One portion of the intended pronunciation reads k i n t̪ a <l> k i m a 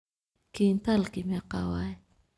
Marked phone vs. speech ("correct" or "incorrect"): correct